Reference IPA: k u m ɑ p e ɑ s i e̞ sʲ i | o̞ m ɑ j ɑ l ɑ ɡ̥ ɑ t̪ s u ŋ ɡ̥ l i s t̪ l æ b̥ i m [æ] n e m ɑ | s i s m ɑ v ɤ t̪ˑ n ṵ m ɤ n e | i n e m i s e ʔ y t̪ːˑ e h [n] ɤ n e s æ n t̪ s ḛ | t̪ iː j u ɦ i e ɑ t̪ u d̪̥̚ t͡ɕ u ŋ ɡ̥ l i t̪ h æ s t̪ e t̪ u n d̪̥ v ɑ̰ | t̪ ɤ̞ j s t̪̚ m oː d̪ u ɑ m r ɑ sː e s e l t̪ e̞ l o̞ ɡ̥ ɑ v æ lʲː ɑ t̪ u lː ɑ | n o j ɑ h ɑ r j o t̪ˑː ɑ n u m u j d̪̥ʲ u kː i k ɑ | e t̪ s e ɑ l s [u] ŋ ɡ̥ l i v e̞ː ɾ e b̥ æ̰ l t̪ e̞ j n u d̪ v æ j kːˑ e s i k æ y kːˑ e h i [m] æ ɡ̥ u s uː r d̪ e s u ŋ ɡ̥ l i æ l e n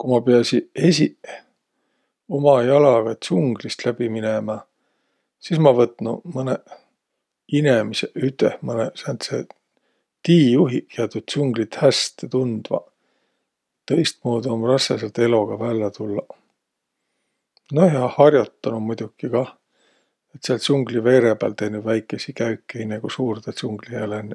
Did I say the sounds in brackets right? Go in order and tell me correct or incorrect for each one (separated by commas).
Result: incorrect, incorrect, correct, incorrect